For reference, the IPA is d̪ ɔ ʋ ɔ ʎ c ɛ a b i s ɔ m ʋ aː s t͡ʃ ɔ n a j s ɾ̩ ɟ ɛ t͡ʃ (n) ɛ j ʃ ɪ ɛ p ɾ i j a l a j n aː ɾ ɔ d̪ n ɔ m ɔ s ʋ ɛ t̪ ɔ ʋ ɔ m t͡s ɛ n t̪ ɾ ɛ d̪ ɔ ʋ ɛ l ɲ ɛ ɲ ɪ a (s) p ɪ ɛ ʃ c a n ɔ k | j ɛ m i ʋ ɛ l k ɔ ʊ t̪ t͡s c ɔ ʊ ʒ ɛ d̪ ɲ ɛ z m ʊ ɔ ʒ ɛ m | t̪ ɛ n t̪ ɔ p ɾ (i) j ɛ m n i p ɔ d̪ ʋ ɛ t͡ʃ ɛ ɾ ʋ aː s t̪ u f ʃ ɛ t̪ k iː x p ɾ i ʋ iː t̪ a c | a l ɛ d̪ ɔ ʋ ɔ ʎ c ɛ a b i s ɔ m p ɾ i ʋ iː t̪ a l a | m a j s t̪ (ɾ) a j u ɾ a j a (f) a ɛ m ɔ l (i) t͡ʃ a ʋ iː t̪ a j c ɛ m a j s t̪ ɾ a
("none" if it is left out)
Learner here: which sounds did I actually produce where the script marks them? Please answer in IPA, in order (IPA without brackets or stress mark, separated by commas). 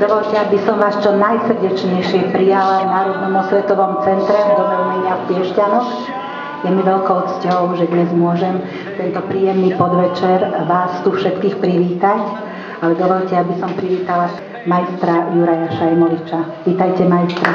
ɲ, f, iː, ɾ, ʃ, i